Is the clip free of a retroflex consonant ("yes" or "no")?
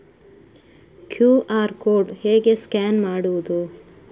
no